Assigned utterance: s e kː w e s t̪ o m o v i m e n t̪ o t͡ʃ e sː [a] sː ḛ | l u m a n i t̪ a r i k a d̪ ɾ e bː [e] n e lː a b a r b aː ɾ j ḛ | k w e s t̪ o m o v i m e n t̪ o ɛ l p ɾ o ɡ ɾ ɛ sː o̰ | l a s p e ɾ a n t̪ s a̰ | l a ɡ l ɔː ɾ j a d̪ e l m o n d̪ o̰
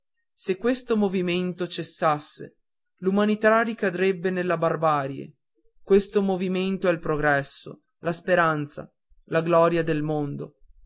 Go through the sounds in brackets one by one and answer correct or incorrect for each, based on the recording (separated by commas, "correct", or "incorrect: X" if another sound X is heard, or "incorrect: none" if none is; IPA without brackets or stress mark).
correct, correct